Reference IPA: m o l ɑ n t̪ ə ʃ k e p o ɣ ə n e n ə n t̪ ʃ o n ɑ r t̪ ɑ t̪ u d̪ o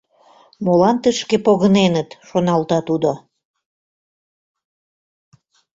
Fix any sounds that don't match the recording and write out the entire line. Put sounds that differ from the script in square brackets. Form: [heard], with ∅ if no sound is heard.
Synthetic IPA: m o l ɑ n t̪ ə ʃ k e p o ɣ ə n e n ə [∅] t̪ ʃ o n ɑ [l] t̪ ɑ t̪ u d̪ o